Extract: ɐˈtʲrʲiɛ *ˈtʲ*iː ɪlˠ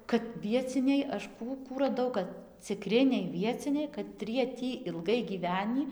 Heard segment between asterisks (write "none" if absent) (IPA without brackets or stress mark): tʲ